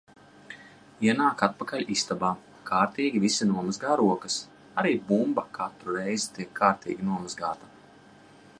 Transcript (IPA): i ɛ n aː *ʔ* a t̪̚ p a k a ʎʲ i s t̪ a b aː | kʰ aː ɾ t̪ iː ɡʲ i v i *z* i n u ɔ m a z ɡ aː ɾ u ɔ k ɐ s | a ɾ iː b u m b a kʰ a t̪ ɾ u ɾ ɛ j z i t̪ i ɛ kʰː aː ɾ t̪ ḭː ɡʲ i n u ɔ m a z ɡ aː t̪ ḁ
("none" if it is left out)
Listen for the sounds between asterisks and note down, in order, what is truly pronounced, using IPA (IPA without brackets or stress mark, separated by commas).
k, s